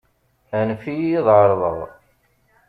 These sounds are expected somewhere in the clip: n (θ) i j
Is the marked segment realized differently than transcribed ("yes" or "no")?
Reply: yes